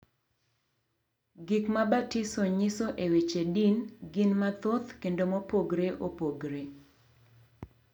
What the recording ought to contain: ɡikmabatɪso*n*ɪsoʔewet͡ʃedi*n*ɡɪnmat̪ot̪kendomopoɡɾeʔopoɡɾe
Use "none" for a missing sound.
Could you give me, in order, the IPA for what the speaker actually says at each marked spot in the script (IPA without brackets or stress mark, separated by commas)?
ɲ, n